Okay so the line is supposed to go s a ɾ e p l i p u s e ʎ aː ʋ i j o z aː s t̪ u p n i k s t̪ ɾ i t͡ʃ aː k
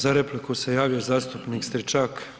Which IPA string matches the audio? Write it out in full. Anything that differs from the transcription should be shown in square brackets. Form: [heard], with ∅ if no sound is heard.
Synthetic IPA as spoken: [z] a ɾ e p l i [k] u s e [j] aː ʋ i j o z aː s t̪ u p n i k s t̪ ɾ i t͡ʃ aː k